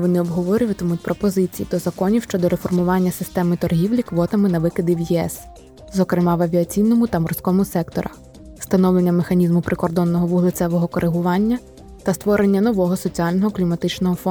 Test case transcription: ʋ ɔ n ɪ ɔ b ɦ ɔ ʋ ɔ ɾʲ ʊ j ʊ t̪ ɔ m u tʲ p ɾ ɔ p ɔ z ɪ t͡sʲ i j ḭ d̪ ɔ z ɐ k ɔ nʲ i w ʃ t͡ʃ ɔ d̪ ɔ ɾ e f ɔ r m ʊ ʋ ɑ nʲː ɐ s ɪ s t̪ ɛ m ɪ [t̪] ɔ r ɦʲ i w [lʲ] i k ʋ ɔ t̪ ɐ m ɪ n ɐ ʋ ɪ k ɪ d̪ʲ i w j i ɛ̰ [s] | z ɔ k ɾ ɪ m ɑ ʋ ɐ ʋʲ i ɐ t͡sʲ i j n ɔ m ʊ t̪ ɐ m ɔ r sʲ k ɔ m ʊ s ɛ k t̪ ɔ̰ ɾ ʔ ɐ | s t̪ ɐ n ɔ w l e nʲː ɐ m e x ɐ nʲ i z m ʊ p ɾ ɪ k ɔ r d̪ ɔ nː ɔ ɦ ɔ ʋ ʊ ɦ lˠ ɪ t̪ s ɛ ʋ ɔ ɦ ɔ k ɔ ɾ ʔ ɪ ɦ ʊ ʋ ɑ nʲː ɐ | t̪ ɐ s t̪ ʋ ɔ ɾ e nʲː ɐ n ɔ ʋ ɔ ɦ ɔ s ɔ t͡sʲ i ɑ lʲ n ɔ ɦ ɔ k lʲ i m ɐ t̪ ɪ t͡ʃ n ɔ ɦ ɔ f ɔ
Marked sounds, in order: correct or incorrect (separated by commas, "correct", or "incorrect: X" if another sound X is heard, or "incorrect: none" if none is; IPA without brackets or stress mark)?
correct, correct, correct